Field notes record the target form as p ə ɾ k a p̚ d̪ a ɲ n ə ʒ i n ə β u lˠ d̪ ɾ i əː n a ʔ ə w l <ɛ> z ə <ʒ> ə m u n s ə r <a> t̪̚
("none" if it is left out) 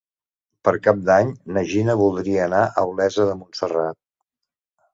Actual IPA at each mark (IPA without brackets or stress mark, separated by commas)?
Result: ɛ, ð, a